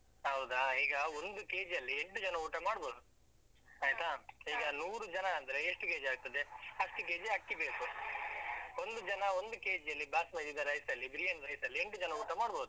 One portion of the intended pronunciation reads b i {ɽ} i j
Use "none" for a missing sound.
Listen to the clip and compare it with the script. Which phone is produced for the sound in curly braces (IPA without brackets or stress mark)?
ɾ